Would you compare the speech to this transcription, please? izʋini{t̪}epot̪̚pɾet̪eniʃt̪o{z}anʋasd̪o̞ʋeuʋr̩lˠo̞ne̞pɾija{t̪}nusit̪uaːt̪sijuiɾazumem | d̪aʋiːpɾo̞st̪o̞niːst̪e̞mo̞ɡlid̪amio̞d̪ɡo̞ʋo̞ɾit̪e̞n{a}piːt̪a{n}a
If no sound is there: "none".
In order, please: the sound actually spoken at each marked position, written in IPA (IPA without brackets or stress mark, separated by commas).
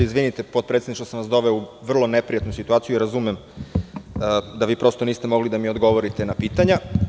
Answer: t̪, s, t̪, a, ɲ